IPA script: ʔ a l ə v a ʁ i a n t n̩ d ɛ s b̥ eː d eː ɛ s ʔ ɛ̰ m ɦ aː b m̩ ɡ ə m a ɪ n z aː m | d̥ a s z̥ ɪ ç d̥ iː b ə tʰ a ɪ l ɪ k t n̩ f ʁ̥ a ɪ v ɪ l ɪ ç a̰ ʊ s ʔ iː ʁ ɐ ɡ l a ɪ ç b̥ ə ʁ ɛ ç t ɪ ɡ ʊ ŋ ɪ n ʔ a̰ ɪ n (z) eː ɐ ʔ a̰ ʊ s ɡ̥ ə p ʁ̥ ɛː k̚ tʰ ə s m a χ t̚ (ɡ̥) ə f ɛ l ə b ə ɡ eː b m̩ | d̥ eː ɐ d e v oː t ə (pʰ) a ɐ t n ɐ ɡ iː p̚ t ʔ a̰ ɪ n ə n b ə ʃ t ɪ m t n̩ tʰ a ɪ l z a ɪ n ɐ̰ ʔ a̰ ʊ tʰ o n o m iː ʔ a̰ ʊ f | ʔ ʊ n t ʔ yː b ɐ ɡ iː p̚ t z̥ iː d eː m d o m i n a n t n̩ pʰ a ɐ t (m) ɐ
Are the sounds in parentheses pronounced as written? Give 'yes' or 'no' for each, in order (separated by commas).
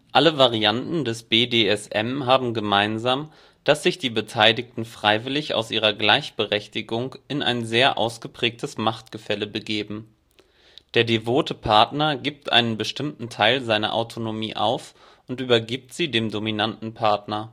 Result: yes, yes, yes, no